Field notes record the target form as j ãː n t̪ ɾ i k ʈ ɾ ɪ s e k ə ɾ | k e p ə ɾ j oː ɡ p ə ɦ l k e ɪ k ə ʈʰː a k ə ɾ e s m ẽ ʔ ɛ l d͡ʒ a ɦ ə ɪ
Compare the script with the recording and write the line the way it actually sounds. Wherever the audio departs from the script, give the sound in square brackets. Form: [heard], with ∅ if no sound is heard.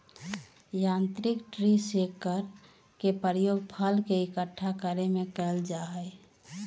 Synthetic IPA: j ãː n t̪ ɾ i k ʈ ɾ [i] s e k ə ɾ | k e p ə ɾ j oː ɡ [pʰ] ə [∅] l k e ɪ k ə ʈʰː a k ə ɾ e [∅] m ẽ [k] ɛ l d͡ʒ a ɦ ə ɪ